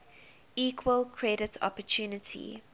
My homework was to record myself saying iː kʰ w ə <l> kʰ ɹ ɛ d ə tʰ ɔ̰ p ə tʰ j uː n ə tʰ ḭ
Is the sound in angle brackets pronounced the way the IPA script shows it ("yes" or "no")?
yes